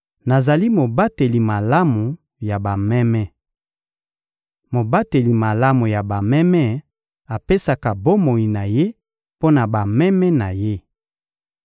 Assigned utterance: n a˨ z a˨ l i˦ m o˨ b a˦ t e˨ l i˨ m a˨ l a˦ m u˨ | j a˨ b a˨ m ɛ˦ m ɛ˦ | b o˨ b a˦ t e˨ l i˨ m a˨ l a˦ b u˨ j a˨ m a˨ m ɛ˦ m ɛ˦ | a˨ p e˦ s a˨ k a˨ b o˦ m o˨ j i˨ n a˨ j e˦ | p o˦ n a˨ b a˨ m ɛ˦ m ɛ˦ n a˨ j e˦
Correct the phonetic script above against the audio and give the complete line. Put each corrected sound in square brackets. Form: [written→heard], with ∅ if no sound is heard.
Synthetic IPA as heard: n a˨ z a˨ l i˦ m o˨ b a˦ t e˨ l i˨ m a˨ l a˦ m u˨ | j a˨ b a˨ m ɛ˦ m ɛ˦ | [b→m] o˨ b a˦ t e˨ l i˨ m a˨ l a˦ [b→m] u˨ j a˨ [m→b] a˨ m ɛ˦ m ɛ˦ | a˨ p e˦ s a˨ k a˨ b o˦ m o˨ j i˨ n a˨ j e˦ | p o˦ n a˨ b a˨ m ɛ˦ m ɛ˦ n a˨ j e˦